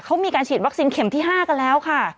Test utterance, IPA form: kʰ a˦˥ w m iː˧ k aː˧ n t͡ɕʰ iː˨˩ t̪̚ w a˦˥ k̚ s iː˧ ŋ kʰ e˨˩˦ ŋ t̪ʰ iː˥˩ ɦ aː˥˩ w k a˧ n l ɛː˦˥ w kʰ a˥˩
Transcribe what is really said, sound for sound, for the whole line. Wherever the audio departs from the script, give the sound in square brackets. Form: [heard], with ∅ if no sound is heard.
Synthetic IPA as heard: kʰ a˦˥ w m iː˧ k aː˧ n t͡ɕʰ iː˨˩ t̪̚ w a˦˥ k̚ s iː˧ [n] kʰ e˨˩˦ [m] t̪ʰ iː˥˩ ɦ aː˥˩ [∅] k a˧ n l ɛː˦˥ w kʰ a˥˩